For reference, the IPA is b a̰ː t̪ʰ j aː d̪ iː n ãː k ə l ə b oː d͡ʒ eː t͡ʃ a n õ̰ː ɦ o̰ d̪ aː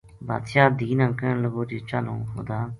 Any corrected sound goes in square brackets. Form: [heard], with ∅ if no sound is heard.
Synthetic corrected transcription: b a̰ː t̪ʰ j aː d̪ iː n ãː k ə l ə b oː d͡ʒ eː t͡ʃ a n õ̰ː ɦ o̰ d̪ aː